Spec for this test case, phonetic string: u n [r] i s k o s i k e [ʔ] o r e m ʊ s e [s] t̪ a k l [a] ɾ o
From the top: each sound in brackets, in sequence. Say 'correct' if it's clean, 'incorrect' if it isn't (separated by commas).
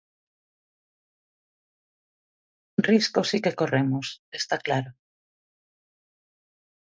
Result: correct, incorrect, correct, correct